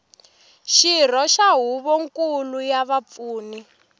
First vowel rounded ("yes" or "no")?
no